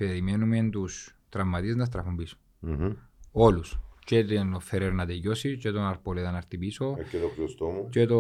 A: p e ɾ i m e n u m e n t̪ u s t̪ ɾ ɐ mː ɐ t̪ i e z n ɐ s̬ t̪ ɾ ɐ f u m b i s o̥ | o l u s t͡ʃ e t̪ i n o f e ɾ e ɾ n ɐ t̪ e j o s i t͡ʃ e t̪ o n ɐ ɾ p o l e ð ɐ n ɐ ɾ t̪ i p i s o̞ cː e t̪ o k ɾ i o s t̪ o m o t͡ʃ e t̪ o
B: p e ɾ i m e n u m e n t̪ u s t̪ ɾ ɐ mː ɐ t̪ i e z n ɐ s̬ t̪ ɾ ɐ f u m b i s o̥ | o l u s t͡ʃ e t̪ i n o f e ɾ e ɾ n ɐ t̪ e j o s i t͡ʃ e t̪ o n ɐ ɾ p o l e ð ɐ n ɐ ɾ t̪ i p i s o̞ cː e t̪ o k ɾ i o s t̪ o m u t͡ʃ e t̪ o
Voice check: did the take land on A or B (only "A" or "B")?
B